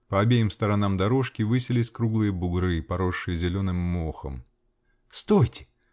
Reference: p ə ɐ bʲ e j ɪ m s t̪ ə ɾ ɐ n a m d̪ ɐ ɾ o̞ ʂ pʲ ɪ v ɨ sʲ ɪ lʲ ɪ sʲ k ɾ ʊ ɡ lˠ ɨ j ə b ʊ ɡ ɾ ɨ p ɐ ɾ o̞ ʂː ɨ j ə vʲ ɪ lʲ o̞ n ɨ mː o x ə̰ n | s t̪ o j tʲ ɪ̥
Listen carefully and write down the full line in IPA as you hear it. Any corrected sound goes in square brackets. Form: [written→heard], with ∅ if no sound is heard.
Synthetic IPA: p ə ɐ bʲ e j ɪ m s t̪ ə ɾ ɐ n a m d̪ ɐ ɾ o̞ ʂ [pʲ→kʲ] ɪ v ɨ sʲ ɪ lʲ ɪ sʲ k ɾ [ʊ→u] ɡ lˠ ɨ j ə b ʊ ɡ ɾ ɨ p ɐ ɾ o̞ ʂː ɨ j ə [vʲ→zʲ] ɪ lʲ o̞ n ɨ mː o x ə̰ [n→m] | s t̪ o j tʲ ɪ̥